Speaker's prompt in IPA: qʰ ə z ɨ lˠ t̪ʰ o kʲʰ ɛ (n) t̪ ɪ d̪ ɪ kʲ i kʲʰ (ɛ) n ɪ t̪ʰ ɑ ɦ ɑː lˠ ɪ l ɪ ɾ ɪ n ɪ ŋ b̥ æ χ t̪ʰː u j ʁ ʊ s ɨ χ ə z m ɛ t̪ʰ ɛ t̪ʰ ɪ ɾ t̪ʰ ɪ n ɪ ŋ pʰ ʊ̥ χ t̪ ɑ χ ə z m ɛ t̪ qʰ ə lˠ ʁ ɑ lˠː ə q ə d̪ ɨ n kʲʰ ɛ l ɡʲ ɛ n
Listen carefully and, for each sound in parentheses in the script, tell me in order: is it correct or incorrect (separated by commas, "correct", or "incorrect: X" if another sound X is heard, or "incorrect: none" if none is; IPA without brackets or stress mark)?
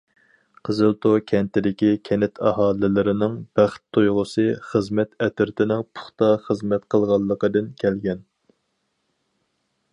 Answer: correct, correct